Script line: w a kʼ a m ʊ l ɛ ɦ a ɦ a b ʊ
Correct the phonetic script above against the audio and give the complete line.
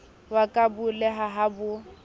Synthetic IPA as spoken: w a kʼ a b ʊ l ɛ ɦ a ɦ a b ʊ